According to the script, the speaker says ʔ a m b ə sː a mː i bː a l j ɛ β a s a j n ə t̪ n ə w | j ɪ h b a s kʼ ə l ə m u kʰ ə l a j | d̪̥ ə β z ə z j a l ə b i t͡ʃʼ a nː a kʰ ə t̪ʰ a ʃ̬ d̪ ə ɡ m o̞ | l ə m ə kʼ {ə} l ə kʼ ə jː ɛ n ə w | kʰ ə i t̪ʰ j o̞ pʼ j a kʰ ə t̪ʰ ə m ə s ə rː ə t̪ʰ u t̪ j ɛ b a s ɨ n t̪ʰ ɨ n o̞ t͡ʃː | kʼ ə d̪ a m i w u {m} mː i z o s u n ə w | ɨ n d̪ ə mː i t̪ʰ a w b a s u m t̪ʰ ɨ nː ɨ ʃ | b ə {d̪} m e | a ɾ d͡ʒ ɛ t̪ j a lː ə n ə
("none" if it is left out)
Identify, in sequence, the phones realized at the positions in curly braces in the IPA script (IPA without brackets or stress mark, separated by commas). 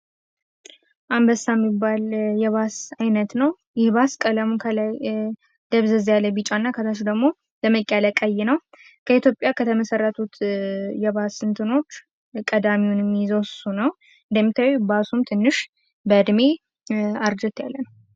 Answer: a, n, d̪